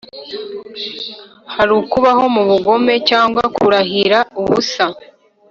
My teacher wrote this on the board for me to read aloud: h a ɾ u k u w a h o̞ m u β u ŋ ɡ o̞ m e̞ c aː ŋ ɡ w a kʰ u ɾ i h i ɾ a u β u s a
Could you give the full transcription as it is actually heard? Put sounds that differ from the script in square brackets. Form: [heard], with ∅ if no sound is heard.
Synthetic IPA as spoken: h a ɾ u k u [β] a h o̞ m u β u [∅] ɡ o̞ m e̞ c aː ŋ ɡ w a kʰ u ɾ [a] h i ɾ a u β u s a